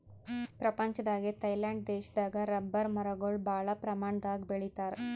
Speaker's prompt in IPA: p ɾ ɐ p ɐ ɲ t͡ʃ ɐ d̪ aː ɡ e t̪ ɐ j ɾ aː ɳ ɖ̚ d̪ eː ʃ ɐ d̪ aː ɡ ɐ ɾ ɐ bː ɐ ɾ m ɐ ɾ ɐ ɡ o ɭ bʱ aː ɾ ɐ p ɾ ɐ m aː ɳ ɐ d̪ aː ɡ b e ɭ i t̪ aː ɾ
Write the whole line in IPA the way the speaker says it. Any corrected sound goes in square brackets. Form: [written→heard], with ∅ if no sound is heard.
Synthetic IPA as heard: p ɾ ɐ p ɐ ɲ t͡ʃ ɐ d̪ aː ɡ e t̪ ɐ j [ɾ→l] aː ɳ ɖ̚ d̪ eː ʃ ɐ d̪ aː ɡ ɐ ɾ ɐ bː ɐ ɾ m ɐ ɾ ɐ ɡ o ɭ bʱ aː [ɾ→ɭ] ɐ p ɾ ɐ m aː ɳ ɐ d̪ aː ɡ b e ɭ i t̪ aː ɾ